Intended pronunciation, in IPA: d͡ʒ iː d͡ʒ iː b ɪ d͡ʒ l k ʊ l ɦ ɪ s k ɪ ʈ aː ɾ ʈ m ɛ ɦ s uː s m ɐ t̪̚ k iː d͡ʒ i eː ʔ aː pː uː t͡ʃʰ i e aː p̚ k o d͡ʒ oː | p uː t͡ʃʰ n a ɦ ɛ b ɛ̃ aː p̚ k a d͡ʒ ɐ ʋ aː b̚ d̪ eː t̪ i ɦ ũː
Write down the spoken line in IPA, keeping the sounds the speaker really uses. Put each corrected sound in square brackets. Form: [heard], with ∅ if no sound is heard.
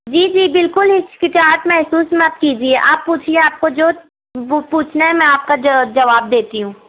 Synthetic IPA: d͡ʒ iː d͡ʒ iː b ɪ [∅] l k ʊ l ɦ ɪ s k ɪ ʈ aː ɾ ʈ m ɛ ɦ s uː s m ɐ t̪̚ k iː d͡ʒ i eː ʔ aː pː uː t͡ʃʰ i e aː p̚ k o d͡ʒ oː | p uː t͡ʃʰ n a ɦ ɛ [m] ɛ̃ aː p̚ k a d͡ʒ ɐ ʋ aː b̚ d̪ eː t̪ i ɦ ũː